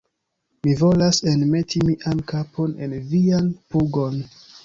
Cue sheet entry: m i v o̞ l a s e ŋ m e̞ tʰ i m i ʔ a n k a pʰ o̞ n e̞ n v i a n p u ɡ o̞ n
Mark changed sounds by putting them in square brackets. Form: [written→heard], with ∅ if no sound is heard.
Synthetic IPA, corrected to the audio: m i v o̞ l a s e [ŋ→n] m e̞ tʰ i m i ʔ a n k a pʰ o̞ n e̞ n v i a n p u ɡ o̞ n